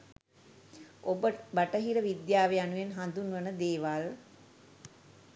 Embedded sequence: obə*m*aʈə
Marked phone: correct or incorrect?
incorrect